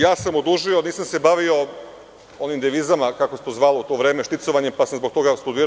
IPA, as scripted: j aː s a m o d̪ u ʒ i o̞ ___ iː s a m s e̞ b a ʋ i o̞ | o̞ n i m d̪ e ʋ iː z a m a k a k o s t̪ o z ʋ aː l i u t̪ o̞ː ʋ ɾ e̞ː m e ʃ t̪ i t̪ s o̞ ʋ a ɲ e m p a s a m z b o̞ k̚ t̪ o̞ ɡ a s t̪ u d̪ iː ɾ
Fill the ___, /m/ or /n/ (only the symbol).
n